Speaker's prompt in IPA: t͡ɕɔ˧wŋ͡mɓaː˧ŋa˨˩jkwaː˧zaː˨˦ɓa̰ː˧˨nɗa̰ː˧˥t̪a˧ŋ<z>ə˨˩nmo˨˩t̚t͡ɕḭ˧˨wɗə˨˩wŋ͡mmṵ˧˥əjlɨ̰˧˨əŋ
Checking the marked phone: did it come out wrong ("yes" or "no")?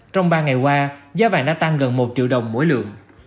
yes